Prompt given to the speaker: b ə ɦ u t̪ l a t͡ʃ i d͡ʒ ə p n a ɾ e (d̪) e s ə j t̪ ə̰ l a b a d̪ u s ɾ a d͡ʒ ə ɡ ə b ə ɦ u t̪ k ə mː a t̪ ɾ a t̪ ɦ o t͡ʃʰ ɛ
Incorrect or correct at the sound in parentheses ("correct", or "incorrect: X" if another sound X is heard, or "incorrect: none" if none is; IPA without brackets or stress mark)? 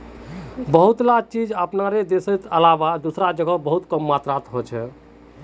correct